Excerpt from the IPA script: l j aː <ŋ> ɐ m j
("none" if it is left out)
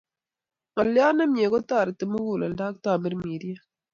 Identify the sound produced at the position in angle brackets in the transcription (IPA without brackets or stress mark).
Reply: n